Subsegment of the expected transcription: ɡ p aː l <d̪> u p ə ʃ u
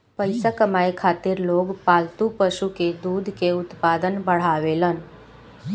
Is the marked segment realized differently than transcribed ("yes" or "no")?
yes